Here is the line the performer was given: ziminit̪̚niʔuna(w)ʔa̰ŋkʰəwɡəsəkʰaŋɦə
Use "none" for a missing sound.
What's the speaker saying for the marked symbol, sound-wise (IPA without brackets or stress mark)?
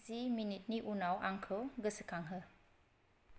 w